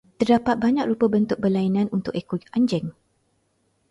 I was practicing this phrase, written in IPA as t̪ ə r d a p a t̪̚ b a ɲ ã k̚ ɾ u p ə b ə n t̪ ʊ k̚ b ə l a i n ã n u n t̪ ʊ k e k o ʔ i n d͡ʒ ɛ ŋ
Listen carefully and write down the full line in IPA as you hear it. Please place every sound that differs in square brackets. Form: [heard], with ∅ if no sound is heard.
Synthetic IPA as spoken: t̪ ə r d a p a t̪̚ b a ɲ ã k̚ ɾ u p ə b ə n t̪ ʊ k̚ b ə l a i n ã n u n t̪ ʊ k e k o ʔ [a] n d͡ʒ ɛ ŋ